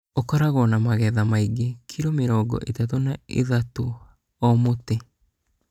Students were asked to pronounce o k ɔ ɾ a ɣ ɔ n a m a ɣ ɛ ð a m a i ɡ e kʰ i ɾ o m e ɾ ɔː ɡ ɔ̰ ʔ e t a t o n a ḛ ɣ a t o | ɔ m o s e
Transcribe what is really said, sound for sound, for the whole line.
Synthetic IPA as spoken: o k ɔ ɾ a ɣ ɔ n a m a ɣ ɛ ð a m a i ɡ e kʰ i ɾ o m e ɾ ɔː ɡ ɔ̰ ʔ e t a t o n a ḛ ð a t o | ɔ m o t e